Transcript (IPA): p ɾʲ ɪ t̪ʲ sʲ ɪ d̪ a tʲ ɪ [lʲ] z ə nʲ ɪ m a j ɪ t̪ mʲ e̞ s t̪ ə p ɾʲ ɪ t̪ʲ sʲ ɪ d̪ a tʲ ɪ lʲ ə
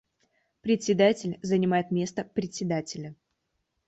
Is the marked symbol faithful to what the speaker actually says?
yes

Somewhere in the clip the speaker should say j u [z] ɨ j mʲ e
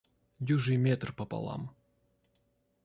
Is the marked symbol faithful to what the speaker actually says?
no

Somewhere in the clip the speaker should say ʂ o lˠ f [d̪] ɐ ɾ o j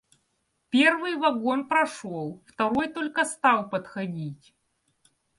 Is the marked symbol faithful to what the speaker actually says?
no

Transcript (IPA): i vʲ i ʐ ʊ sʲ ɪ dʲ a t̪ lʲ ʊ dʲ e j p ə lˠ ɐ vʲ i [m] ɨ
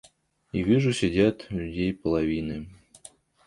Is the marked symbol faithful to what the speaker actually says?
no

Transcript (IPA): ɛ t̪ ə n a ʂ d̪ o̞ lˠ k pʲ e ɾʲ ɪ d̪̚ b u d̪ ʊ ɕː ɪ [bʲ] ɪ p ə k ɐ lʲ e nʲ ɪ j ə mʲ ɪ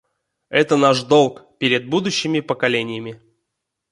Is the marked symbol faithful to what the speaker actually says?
no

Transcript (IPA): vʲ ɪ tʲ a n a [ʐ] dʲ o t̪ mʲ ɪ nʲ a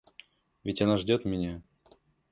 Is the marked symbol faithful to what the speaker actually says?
yes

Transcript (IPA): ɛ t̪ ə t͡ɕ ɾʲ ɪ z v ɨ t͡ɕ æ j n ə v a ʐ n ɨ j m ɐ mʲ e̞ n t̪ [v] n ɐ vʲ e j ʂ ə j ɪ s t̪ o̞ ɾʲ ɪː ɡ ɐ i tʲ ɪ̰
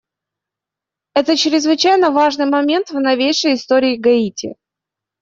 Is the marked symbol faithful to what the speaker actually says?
yes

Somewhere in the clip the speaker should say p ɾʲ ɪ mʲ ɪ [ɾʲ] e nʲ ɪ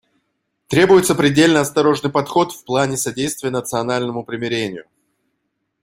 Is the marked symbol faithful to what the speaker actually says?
yes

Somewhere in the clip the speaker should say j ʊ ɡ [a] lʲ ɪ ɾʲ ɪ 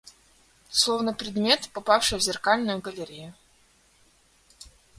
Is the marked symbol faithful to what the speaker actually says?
no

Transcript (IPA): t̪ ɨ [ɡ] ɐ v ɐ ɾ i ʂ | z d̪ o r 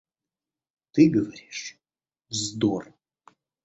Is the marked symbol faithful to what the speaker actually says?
yes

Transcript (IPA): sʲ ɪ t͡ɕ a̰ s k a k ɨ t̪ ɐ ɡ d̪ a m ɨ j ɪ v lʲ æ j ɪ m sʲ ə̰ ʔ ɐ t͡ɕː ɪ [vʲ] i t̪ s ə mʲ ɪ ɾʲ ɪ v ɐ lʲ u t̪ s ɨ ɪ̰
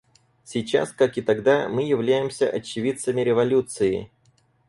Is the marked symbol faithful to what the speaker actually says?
yes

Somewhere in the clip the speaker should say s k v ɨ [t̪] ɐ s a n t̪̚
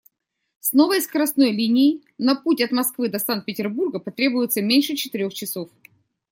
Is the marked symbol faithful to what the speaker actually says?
no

